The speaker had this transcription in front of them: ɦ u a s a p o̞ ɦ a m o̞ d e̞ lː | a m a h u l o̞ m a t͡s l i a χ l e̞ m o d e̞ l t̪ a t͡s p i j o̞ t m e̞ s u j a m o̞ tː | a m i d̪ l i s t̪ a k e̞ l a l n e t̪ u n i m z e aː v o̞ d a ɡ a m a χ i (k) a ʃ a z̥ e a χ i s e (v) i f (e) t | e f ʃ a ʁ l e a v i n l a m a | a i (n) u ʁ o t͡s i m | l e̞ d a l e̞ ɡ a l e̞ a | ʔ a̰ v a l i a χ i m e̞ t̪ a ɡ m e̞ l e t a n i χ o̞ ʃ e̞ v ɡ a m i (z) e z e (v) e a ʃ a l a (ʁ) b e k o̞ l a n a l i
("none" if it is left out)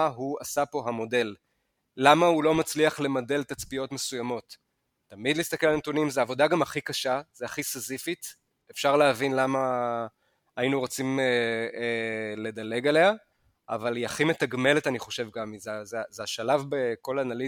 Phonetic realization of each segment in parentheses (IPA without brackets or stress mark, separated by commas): k, z, i, n, z, z, v